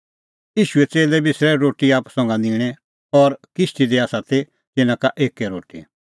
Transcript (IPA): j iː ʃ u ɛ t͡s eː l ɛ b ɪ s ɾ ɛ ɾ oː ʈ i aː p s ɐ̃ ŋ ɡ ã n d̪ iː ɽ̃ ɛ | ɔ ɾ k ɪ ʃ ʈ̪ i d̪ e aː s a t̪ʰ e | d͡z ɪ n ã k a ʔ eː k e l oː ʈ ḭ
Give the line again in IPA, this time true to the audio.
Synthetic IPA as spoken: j iː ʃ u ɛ t͡s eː l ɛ b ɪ s ɾ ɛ ɾ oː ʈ i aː p s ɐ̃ ŋ ɡ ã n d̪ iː ɽ̃ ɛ | ɔ ɾ k ɪ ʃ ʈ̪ i d̪ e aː s a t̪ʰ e | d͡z ɪ n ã k a ʔ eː k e ɾ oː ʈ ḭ